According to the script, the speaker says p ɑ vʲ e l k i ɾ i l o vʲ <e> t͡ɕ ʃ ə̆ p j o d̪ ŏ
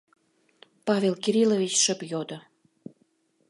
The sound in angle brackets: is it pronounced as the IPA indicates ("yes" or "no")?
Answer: no